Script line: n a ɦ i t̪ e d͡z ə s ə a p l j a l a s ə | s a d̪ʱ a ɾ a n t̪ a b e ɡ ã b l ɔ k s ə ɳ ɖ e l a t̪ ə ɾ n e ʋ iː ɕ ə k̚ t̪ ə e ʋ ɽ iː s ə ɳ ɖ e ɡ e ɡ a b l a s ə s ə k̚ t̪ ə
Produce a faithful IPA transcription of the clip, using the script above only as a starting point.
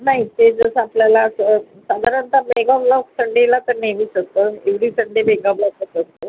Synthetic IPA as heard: n a ɦ i t̪ e d͡z ə s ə a p l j a l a s ə | s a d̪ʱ a ɾ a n t̪ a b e ɡ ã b l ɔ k s ə ɳ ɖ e l a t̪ ə ɾ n e ʋ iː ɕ ə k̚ t̪ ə e ʋ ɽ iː s ə ɳ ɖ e b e ɡ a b l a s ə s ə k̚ t̪ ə